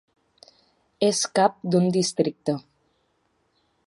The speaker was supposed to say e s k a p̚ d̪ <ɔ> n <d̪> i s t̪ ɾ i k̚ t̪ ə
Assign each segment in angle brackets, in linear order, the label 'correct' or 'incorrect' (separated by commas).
incorrect, correct